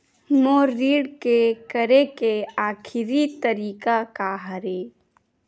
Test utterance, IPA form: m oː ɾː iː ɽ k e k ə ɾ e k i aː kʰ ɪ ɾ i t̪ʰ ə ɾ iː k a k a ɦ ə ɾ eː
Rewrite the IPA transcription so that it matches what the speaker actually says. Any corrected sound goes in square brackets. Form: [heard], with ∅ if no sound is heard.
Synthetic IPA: m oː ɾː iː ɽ k e k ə ɾ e k [e] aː kʰ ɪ ɾ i [t̪] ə ɾ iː k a k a ɦ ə ɾ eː